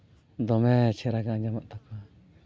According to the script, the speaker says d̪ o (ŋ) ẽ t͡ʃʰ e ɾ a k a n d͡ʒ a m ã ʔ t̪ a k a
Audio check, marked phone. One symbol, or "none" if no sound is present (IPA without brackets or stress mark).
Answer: m